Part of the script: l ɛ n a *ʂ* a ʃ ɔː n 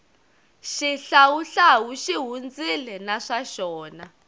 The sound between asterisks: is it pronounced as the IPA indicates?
yes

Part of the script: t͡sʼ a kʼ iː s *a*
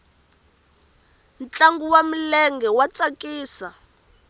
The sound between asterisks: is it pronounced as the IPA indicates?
yes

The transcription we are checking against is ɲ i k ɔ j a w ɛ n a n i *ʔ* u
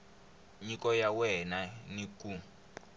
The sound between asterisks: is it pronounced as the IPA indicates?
no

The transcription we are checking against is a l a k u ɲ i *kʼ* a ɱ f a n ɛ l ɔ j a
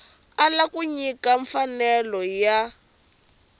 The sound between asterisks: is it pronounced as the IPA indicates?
no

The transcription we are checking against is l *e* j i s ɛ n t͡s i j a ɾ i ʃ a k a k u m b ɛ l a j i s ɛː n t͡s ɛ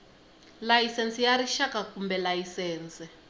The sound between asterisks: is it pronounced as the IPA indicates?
no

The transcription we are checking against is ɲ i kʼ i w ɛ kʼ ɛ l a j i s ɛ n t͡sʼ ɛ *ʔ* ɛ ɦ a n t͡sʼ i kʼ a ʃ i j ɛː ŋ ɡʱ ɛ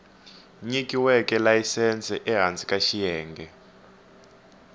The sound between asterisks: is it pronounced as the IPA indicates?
yes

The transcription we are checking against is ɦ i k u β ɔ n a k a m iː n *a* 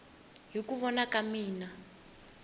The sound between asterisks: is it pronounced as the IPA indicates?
yes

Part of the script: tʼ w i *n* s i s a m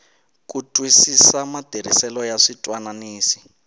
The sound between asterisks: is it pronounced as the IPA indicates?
no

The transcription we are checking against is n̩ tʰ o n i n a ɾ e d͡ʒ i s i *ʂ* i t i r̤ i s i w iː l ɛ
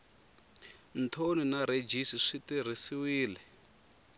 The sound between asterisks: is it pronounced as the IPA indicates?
yes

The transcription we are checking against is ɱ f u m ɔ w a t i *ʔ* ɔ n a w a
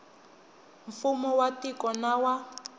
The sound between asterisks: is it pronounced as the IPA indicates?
no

